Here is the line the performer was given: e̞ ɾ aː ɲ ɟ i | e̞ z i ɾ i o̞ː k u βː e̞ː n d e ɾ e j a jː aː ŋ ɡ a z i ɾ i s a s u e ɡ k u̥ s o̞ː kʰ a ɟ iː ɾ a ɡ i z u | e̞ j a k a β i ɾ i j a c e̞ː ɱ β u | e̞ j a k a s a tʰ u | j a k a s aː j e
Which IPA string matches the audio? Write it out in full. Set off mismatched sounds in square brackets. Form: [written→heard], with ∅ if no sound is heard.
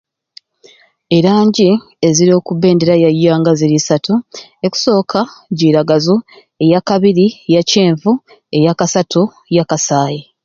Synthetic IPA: e̞ ɾ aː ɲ ɟ i | e̞ z i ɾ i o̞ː k u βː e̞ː n d e ɾ [e→a] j a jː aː ŋ ɡ a z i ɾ i s a [s→t] u e [ɡ→∅] k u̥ s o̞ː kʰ a ɟ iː ɾ a ɡ [i→a] z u | e̞ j a k a β i ɾ i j a c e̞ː ɱ [β→v] u | e̞ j a k a s a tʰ u | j a k a s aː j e

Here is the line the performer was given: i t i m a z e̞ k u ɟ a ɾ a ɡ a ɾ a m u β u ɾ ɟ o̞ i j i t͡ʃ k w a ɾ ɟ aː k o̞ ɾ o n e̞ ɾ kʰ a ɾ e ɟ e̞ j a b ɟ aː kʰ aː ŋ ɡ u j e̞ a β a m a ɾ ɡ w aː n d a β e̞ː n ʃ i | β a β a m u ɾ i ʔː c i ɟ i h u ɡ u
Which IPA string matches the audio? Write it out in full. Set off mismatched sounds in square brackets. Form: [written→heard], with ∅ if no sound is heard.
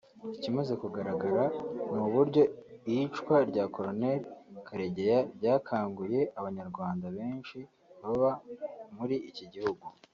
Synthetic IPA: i [t→c] i m a z e̞ k u [ɟ→ɡ] a ɾ a ɡ a ɾ a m u β u ɾ ɟ o̞ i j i t͡ʃ k w a ɾ ɟ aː k o̞ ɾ o n e̞ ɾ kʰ a ɾ e ɟ e̞ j a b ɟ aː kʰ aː ŋ ɡ u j e̞ a β a [m→ɲ] a ɾ ɡ w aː n d a β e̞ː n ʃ i | β a β a m u ɾ i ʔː c i ɟ i h u ɡ u

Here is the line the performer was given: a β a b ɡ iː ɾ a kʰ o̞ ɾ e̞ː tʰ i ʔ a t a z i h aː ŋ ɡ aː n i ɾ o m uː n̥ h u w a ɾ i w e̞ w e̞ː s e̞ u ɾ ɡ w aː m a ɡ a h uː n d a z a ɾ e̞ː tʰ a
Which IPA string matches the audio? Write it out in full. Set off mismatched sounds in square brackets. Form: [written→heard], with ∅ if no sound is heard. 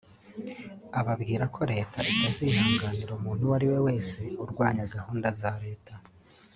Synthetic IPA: a β a b ɡ iː ɾ a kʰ o̞ ɾ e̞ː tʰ [i→a] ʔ [a→i] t a z i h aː ŋ ɡ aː n i ɾ o m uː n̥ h u w a ɾ i w e̞ w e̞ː s e̞ u ɾ ɡ w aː [m→ɲ] a ɡ a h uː n d a z a ɾ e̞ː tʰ a

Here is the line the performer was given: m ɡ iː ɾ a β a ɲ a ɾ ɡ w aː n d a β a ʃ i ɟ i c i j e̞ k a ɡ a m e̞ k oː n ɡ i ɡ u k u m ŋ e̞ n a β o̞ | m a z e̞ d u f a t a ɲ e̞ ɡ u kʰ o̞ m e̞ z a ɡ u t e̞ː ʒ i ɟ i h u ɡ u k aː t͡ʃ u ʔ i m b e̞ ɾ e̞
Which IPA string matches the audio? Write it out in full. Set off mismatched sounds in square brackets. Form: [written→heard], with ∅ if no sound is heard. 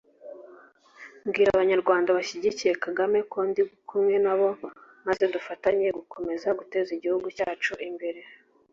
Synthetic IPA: m ɡ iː ɾ a β a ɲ a ɾ ɡ w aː n d a β a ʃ i ɟ i c i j e̞ k a ɡ a m e̞ k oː n [ɡ→d] i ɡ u k u m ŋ e̞ n a β o̞ | m a z e̞ d u f a t a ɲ e̞ ɡ u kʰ o̞ m e̞ z a ɡ u t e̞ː [ʒ→z] i ɟ i h u ɡ u [k→c] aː t͡ʃ u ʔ i m b e̞ ɾ e̞

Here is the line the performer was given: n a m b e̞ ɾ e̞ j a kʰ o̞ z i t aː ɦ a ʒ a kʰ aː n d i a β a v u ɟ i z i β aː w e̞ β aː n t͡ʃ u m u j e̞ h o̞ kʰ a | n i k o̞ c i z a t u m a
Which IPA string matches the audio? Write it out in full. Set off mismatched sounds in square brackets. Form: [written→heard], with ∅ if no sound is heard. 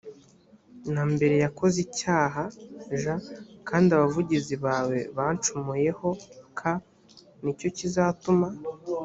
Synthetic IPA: n a m b e̞ ɾ e̞ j a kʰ o̞ z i [t→c] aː ɦ a ʒ a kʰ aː n d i a β a v u ɟ i z i β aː w e̞ β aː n t͡ʃ u m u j e̞ h o̞ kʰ a | n i [k→c] o̞ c i z a t u m a

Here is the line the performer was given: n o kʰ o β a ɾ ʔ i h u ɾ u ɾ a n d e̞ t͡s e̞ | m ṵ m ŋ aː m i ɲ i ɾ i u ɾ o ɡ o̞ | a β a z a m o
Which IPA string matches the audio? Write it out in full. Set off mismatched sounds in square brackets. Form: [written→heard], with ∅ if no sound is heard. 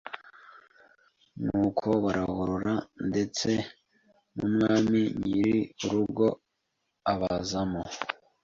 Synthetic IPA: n [o→u] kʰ o β a ɾ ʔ [i→a] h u ɾ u ɾ a n d e̞ t͡s e̞ | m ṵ m ŋ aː m i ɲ i ɾ i u ɾ [o→u] ɡ o̞ | a β a z a m o

